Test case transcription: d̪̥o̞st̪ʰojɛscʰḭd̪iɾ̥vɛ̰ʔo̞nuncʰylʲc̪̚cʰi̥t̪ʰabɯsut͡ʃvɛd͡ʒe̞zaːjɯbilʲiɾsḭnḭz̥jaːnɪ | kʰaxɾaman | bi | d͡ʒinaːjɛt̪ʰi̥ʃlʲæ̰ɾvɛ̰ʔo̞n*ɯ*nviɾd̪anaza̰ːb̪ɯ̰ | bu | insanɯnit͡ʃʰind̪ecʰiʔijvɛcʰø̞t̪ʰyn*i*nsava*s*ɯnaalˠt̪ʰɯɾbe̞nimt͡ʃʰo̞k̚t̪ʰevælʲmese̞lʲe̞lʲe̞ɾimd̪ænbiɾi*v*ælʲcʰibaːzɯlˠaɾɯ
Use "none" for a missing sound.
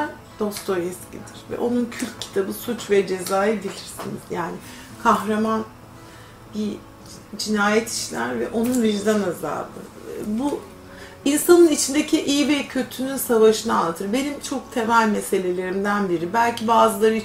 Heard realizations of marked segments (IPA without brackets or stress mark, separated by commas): u, y, ʃ, b